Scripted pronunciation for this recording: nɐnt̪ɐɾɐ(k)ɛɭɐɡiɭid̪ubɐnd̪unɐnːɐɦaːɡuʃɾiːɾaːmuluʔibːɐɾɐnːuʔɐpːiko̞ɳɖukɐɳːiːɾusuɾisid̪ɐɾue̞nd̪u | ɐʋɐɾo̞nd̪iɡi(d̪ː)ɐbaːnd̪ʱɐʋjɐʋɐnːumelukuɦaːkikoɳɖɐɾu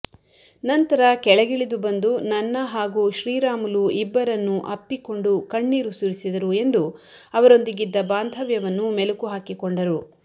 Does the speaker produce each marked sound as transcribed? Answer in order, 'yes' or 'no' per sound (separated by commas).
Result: yes, yes